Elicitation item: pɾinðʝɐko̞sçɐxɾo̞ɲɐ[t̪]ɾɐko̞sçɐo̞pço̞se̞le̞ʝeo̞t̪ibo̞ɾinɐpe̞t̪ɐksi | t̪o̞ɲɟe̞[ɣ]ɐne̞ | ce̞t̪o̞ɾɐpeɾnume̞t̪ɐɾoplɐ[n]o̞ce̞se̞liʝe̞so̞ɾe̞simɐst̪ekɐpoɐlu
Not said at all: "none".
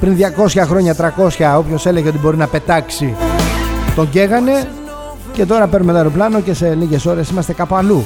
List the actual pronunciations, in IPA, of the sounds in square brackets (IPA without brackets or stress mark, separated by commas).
t̪, ɣ, n